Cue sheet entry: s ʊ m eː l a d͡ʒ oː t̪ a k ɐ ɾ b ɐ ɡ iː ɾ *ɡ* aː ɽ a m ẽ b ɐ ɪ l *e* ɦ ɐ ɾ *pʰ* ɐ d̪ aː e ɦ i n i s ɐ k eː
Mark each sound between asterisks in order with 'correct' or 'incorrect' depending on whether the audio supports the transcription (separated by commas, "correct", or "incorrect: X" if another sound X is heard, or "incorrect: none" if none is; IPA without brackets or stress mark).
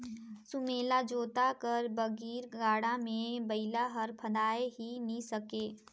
correct, incorrect: a, correct